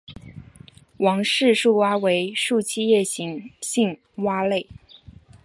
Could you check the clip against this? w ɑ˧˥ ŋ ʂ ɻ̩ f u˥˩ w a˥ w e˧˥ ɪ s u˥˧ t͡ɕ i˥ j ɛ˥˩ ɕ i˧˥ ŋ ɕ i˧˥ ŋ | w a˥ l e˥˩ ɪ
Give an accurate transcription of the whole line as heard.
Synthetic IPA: w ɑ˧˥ ŋ ʂ ɻ̩ ʂ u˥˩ w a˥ w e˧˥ ɪ ʂ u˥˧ t͡ɕʰ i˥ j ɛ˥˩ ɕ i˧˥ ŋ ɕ i˥˩ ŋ | w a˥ l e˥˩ ɪ

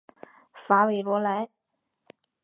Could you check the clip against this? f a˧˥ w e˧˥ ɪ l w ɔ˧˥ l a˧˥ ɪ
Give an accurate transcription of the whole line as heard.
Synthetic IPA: f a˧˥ w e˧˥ ɪ l w ɔ˧˥ l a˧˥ ɪ

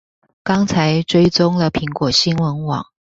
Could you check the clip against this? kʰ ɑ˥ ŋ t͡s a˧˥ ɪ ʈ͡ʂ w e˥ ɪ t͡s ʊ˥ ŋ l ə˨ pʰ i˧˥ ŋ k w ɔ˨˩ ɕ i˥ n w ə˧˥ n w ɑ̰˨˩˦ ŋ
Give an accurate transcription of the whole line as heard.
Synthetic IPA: k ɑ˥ ŋ t͡sʰ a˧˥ ɪ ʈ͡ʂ w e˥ ɪ t͡s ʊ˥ ŋ l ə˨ pʰ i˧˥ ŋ k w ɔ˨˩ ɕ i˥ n w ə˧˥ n w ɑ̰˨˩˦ ŋ

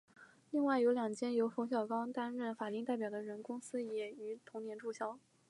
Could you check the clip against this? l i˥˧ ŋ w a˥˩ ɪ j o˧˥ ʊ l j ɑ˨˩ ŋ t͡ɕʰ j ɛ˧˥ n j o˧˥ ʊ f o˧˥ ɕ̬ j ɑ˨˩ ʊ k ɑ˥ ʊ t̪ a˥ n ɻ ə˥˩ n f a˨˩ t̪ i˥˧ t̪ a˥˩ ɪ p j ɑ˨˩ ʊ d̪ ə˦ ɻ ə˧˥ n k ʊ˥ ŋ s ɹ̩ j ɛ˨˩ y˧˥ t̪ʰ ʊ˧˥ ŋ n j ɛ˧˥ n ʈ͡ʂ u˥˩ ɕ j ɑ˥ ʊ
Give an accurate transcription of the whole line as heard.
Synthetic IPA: l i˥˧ ŋ w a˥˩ ɪ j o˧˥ ʊ l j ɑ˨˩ ŋ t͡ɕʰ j ɛ˥ n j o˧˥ ʊ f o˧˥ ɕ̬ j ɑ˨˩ ʊ k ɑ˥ ʊ t̪ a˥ n ɻ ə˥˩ n f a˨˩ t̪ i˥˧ t̪ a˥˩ ɪ p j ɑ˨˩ ʊ d̪ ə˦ ɻ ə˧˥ n k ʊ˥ ŋ s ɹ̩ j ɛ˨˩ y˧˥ t̪ʰ ʊ˧˥ ŋ n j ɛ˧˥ n ʈ͡ʂ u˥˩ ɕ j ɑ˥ ʊ

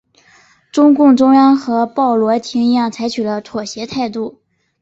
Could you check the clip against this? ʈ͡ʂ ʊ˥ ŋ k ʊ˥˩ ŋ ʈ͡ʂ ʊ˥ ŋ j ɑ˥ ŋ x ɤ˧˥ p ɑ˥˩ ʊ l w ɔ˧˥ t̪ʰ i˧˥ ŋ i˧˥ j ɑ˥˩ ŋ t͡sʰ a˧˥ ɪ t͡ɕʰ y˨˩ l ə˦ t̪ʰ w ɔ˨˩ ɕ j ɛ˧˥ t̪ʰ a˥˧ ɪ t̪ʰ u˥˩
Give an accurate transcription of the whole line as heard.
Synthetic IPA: ʈ͡ʂ ʊ˥ ŋ k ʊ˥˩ ŋ ʈ͡ʂ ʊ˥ ŋ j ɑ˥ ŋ x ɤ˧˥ p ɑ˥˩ ʊ l w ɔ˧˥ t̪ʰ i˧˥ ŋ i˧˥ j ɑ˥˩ ŋ t͡sʰ a˧˥ ɪ t͡ɕʰ y˨˩ l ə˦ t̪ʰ w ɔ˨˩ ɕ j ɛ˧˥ t̪ʰ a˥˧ ɪ t̪ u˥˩

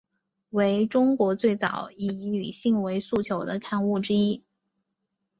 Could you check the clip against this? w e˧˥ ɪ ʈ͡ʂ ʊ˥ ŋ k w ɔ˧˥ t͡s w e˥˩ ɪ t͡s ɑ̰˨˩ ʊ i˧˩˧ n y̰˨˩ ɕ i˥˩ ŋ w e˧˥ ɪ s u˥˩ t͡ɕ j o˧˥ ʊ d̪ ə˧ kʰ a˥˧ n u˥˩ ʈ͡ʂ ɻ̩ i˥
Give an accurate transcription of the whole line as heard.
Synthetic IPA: w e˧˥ ɪ ʈ͡ʂ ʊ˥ ŋ k w ɔ˧˥ t͡s w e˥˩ ɪ t͡s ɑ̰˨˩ ʊ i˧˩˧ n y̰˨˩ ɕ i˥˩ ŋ w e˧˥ ɪ s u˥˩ t͡ɕʰ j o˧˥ ʊ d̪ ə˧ kʰ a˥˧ n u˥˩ ʈ͡ʂ ɻ̩ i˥

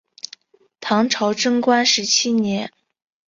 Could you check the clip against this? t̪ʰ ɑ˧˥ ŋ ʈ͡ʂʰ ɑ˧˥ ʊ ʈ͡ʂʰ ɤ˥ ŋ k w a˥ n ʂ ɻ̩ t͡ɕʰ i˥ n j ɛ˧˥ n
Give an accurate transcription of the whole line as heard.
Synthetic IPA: t̪ʰ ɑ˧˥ ŋ ʈ͡ʂʰ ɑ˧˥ ʊ ʈ͡ʂ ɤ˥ ŋ k w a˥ n ʂ ɻ̩ t͡ɕʰ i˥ n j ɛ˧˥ n

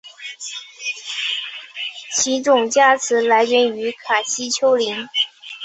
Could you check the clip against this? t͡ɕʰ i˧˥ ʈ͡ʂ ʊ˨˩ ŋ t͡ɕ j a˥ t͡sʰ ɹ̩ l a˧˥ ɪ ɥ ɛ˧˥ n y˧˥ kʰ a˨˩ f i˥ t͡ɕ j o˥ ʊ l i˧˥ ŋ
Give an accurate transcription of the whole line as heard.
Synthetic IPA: t͡ɕʰ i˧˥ ʈ͡ʂ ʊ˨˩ ŋ t͡ɕ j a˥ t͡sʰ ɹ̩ l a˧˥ ɪ ɥ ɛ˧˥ n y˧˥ kʰ a˨˩ ɕ i˥ t͡ɕʰ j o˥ ʊ l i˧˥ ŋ

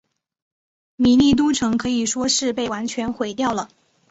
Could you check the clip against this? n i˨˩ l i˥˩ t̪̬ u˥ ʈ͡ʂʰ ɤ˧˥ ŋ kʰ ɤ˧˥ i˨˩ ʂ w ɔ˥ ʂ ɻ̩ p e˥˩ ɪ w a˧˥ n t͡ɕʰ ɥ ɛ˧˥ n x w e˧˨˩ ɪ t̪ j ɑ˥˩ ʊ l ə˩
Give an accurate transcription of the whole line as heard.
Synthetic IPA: m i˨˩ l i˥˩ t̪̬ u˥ ʈ͡ʂʰ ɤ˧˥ ŋ kʰ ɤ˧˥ i˨˩ ʂ w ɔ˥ ʂ ɻ̩ p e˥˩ ɪ w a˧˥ n t͡ɕʰ ɥ ɛ˧˥ n x w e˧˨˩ ɪ t̪ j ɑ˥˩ ʊ l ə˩

